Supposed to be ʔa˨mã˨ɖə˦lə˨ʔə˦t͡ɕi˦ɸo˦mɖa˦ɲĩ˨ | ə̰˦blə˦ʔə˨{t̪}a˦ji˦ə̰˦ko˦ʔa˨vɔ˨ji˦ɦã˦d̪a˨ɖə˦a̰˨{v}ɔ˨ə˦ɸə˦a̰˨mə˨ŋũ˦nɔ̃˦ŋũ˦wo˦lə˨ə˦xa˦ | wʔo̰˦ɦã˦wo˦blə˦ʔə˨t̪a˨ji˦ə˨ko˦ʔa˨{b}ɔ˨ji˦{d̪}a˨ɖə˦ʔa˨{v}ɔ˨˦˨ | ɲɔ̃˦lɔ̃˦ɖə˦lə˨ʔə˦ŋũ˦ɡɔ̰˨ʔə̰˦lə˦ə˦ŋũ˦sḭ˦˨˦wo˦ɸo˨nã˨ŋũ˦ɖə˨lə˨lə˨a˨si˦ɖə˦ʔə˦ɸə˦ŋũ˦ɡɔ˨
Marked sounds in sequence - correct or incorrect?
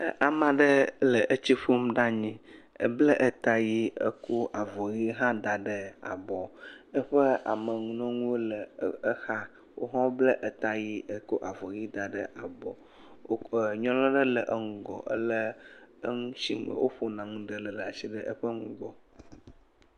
correct, incorrect, incorrect, correct, incorrect

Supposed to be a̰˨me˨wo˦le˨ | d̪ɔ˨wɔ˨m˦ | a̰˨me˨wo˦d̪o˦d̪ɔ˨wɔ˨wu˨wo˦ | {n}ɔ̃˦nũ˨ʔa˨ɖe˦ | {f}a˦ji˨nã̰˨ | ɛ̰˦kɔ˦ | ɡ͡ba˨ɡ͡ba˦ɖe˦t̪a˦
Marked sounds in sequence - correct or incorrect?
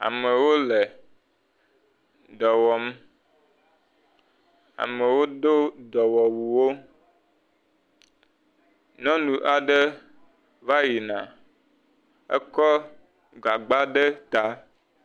correct, incorrect

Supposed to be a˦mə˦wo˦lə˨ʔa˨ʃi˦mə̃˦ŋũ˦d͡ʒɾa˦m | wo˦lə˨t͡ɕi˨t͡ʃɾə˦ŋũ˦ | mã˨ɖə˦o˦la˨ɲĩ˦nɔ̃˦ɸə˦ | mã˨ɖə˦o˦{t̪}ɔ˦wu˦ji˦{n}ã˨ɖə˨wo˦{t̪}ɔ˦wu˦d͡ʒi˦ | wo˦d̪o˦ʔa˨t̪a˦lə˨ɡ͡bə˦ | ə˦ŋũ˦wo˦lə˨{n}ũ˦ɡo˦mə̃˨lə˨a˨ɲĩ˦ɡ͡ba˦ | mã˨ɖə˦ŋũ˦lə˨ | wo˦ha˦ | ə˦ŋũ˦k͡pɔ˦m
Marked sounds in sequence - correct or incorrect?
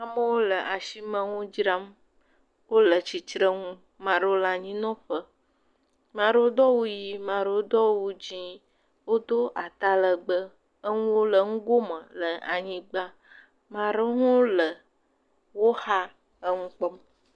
incorrect, incorrect, incorrect, incorrect

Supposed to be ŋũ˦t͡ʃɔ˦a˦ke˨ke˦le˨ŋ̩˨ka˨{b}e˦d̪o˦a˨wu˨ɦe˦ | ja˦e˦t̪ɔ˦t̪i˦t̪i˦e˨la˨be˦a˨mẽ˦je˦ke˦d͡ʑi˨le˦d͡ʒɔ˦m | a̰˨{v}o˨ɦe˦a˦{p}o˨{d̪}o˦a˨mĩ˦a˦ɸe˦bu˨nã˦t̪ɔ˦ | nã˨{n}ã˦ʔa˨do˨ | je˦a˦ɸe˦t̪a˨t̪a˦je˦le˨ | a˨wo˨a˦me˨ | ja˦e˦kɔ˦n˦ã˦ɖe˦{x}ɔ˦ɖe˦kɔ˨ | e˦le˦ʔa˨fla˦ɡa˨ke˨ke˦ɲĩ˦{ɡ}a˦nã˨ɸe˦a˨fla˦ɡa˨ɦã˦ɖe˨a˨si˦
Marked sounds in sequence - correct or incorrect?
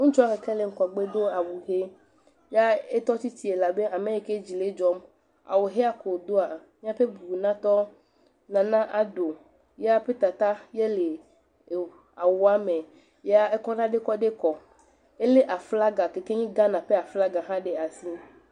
incorrect, incorrect, incorrect, correct, correct, incorrect, correct

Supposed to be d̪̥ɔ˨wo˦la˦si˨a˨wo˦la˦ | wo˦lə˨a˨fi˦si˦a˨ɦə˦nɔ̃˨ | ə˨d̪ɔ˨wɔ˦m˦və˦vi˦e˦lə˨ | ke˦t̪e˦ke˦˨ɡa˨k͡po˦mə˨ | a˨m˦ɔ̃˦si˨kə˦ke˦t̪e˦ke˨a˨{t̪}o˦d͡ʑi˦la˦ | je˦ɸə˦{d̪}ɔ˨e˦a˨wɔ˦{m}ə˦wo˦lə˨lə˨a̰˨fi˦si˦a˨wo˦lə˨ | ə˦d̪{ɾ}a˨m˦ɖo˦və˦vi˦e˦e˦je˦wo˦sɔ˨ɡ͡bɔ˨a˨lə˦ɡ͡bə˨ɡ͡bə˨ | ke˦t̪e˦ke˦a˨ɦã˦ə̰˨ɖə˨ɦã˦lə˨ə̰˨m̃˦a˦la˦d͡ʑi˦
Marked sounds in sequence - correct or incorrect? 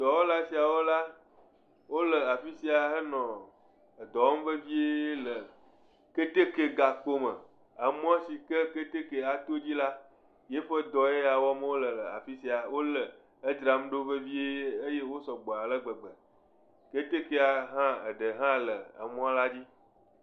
correct, correct, correct, correct

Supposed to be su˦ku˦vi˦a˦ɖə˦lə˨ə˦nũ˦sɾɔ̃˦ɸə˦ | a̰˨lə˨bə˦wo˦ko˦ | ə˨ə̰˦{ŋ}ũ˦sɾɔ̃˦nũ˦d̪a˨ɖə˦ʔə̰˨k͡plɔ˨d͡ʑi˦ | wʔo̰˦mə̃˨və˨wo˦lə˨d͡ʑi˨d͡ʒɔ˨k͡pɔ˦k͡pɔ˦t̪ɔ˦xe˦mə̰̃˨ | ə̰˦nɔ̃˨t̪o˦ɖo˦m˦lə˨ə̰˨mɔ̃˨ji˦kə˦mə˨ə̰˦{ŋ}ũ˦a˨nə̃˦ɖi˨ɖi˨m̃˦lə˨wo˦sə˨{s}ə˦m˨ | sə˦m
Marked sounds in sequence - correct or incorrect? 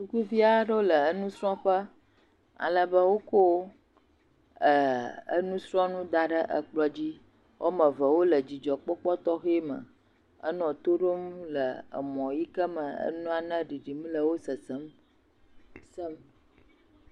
incorrect, incorrect, correct

